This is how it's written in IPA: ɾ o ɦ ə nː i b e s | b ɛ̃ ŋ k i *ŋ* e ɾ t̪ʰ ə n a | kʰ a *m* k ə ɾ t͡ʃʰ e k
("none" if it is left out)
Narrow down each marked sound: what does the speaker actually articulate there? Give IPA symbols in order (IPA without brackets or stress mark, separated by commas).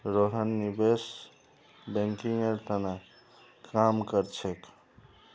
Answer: ŋ, m